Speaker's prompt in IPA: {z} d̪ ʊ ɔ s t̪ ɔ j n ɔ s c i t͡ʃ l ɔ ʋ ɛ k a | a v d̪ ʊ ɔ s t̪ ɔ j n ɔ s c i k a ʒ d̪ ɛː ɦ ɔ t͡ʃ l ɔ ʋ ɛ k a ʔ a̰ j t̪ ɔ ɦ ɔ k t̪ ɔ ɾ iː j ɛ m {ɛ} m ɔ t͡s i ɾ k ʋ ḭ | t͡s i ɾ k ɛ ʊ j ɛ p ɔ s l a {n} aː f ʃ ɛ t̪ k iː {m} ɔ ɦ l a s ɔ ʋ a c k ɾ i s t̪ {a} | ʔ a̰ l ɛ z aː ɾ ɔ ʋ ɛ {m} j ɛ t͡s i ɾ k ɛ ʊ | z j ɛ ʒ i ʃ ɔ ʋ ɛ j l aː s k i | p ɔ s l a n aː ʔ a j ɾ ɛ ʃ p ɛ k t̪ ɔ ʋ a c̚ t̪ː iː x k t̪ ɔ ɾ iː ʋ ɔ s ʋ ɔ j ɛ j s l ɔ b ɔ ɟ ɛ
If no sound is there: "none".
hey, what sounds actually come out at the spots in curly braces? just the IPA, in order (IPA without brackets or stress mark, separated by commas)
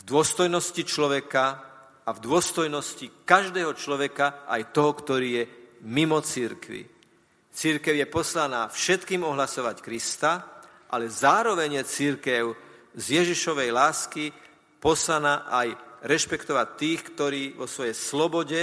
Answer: v, i, n, m, a, ɲ